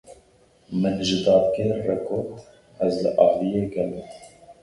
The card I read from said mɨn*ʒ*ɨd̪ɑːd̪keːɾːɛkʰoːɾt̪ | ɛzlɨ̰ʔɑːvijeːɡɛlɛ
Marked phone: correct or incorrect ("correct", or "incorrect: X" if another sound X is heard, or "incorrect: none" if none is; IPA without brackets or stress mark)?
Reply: correct